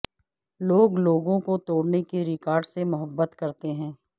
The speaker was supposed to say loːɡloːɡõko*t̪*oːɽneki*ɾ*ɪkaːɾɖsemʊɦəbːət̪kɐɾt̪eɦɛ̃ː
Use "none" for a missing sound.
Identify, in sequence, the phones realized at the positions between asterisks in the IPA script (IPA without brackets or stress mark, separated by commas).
t̪, ɾ